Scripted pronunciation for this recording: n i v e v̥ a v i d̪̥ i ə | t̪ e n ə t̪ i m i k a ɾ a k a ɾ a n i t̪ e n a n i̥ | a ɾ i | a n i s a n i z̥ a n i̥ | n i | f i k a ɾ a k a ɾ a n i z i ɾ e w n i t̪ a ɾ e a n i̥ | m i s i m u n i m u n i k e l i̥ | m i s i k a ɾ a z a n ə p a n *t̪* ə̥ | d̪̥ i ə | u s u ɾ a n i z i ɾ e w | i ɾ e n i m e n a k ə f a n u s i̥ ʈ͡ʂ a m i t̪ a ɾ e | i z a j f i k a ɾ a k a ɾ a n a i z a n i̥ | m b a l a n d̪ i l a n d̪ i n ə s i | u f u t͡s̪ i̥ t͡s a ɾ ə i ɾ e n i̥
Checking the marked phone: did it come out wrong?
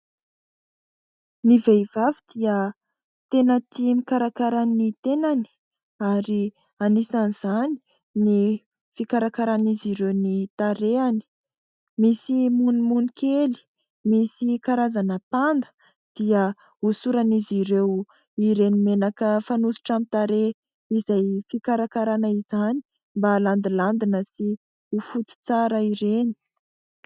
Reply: yes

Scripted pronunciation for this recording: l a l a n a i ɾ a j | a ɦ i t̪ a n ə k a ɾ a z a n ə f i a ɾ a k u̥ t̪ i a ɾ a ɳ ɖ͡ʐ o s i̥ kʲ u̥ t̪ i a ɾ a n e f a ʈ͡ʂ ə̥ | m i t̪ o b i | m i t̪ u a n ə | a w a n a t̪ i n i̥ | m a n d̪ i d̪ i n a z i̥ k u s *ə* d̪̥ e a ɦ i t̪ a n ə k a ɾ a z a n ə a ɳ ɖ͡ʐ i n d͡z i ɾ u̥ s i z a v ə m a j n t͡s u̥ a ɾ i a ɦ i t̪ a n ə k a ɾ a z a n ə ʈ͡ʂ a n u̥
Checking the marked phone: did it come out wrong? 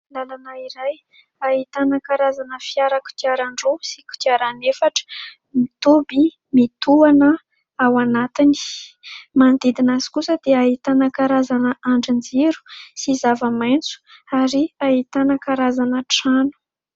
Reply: no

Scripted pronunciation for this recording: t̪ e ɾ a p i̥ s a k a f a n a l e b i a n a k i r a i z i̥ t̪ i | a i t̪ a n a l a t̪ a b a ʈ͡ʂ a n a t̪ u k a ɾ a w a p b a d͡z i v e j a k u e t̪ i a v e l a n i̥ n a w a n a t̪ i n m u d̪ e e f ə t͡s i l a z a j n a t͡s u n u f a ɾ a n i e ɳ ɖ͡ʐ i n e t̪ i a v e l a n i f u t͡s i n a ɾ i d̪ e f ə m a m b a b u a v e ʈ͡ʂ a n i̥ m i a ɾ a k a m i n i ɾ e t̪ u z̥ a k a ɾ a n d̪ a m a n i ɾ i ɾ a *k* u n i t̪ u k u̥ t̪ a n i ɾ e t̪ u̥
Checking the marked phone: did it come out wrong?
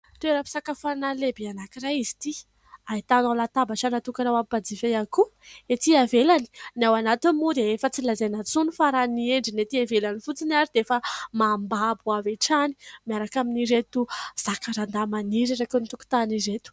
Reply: no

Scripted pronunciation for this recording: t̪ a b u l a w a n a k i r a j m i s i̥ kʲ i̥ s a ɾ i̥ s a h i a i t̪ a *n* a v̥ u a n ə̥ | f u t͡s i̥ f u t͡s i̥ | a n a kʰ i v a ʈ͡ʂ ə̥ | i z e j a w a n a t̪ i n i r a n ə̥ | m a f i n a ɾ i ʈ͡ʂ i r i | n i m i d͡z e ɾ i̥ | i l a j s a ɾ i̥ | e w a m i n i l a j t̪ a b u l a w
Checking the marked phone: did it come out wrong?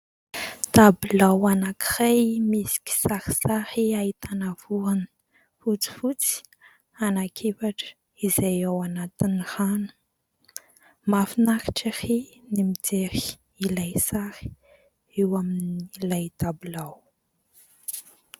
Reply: no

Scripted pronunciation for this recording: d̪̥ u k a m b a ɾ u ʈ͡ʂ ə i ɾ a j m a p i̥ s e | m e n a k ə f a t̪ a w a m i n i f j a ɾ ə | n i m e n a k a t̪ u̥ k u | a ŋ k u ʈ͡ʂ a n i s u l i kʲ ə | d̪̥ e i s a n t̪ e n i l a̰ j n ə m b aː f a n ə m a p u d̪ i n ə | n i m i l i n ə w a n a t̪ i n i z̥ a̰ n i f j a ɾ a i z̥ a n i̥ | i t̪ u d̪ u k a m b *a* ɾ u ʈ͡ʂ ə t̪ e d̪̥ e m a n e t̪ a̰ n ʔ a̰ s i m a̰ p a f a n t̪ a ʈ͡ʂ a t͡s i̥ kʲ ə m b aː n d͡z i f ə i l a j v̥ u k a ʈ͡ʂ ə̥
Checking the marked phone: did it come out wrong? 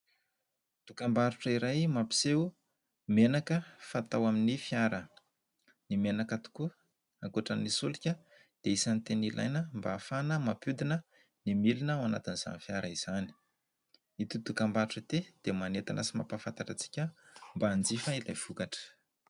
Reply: no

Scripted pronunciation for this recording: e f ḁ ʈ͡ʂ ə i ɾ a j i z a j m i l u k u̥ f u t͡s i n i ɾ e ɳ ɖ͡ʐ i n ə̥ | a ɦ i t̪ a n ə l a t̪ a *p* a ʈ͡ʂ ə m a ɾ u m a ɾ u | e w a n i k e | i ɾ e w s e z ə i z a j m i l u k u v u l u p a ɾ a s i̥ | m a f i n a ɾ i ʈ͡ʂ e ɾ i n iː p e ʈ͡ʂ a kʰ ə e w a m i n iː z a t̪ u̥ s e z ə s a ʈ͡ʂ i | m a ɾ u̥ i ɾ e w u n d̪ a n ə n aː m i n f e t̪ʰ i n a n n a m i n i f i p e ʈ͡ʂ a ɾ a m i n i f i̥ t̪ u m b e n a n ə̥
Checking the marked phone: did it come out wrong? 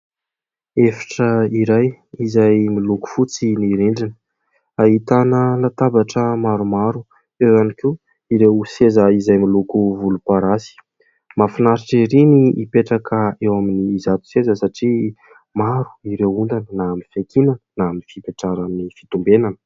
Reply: yes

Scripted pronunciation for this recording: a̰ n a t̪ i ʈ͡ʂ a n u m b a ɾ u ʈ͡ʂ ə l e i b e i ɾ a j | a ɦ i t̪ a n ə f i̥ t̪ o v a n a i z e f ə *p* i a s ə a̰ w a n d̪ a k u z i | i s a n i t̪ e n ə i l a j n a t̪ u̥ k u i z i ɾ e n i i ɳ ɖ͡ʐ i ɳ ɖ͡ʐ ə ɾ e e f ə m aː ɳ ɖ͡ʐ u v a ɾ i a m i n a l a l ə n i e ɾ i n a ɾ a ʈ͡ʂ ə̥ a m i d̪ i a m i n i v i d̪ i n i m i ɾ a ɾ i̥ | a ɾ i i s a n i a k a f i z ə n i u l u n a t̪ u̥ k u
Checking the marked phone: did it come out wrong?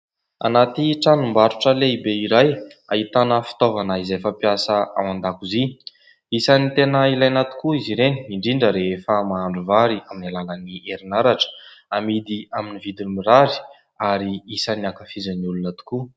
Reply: no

